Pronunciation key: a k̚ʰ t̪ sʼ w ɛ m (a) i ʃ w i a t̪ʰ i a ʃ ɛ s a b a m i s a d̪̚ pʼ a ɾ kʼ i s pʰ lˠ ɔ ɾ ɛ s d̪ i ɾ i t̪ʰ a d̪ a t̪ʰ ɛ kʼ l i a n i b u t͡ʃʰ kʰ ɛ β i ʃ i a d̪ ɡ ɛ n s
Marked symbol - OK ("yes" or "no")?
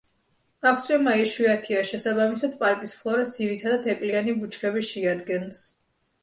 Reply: yes